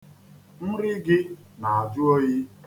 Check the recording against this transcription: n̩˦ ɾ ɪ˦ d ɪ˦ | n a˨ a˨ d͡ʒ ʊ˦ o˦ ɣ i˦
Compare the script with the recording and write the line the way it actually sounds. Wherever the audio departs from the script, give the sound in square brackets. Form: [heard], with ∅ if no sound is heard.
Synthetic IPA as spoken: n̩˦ ɾ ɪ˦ [ɡ] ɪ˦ | n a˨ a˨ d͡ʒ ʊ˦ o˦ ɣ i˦